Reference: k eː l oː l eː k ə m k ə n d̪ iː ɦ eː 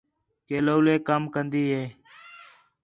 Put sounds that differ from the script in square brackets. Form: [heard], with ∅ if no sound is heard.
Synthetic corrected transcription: k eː l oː l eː k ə m k ə n d̪ iː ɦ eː